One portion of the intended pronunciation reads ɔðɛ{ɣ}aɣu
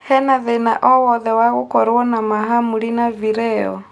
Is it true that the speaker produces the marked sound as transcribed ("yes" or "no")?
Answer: no